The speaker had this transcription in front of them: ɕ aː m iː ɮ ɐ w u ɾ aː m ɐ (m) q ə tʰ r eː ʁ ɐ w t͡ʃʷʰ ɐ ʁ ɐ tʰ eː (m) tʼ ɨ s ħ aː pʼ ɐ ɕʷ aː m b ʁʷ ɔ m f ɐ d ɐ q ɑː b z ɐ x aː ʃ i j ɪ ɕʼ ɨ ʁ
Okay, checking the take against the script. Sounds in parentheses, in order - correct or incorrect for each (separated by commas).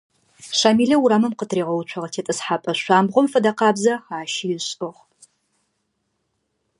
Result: correct, incorrect